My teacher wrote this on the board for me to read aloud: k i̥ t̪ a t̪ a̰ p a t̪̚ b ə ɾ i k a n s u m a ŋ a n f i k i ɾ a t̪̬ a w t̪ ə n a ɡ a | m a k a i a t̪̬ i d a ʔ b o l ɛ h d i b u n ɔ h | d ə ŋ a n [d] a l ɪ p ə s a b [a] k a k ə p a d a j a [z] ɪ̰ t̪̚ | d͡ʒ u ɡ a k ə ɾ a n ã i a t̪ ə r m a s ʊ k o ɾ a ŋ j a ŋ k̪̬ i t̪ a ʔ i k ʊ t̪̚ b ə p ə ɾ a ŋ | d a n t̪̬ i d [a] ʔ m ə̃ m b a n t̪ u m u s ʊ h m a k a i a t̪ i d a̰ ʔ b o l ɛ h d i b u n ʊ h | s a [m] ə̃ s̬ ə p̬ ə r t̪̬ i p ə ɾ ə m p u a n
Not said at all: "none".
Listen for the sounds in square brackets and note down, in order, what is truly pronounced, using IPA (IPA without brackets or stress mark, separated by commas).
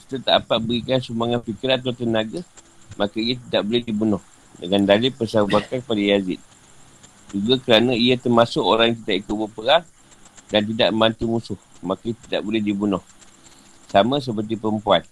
d, a, z, a, m